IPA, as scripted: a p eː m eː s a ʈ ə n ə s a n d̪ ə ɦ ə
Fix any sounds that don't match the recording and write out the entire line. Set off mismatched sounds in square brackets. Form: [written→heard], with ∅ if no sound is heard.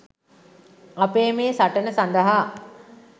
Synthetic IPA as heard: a p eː m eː s a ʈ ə n ə s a n d̪ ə ɦ [ə→a]